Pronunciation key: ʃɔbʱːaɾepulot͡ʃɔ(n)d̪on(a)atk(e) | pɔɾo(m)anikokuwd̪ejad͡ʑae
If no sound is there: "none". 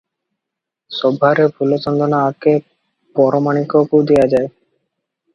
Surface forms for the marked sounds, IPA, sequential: n, a, e, m

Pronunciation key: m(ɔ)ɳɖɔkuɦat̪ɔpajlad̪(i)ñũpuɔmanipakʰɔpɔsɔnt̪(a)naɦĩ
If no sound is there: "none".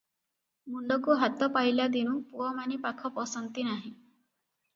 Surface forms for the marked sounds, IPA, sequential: u, i, i

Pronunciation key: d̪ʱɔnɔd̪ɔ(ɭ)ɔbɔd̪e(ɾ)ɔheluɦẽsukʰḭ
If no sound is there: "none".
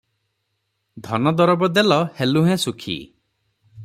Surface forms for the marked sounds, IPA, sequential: ɾ, l

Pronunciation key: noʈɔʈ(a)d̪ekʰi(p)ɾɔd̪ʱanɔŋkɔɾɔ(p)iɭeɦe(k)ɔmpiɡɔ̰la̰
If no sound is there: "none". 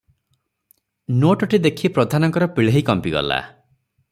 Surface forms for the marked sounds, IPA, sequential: i, p, p, k

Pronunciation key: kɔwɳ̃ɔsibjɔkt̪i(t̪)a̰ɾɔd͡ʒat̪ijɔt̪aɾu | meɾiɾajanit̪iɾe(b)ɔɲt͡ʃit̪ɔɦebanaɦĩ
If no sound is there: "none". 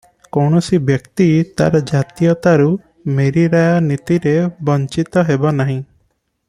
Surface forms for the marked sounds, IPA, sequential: t̪, b

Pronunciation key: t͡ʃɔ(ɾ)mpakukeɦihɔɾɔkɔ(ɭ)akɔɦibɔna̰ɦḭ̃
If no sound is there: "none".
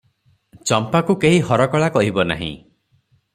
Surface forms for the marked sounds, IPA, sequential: none, ɭ

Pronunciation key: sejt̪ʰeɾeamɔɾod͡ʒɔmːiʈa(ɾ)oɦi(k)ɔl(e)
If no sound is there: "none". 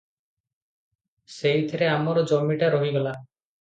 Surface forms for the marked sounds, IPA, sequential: ɾ, ɡ, a

